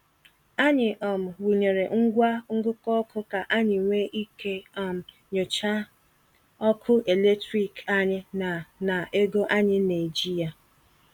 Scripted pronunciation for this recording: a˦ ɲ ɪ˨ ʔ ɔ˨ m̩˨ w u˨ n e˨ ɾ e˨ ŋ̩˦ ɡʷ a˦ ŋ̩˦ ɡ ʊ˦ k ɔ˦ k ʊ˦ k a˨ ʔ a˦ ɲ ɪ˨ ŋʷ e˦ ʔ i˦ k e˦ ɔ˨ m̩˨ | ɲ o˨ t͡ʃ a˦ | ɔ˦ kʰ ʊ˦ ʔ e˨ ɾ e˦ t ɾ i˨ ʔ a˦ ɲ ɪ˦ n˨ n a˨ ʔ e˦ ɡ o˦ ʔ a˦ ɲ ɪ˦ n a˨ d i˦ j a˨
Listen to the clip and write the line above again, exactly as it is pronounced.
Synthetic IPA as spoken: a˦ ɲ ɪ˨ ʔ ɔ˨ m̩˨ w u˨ ɲ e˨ ɾ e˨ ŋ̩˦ ɡʷ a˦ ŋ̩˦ ɡ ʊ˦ k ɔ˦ k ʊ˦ k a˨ ʔ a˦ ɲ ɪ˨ ŋʷ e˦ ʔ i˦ k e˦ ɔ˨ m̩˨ | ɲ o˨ t͡ʃ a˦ | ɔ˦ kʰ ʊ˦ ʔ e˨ l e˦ t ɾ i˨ k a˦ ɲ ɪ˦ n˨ n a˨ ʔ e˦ ɡ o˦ ʔ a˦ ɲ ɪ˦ n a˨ d͡ʒ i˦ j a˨